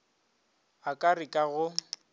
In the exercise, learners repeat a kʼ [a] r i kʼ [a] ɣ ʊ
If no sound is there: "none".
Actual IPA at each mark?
a, a

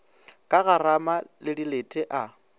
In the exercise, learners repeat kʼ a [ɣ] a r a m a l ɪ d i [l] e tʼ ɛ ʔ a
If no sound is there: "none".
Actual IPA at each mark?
ɣ, l

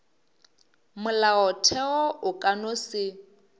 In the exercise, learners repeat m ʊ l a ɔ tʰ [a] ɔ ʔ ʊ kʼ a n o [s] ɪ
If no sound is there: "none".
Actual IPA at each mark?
ɛ, s

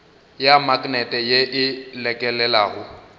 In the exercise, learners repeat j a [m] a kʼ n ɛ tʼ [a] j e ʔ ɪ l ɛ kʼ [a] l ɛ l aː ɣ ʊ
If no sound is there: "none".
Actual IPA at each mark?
m, ɛ, ɛ

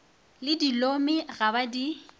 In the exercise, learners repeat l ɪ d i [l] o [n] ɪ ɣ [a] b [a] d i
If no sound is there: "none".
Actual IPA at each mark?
l, m, a, a

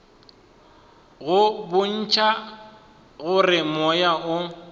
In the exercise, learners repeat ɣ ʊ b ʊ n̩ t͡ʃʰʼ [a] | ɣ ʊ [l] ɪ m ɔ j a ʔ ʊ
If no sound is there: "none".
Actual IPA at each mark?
a, r

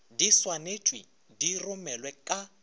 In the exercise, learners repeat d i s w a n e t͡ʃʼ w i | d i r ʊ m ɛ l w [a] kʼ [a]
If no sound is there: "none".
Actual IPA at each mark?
ɛ, a

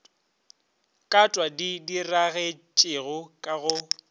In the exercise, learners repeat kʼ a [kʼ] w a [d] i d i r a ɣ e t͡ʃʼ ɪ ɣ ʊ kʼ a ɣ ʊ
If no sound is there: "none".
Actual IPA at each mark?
tʼ, d

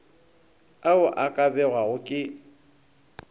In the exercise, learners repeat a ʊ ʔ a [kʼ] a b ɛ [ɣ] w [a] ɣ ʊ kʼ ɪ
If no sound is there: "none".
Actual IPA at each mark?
kʼ, ɣ, a

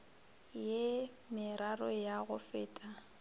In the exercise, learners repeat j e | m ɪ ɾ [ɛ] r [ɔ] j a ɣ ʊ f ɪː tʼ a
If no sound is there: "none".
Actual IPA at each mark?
a, ɔ

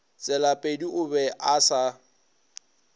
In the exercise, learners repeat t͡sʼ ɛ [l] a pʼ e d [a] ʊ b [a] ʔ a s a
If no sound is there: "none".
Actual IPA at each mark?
l, i, ɛ

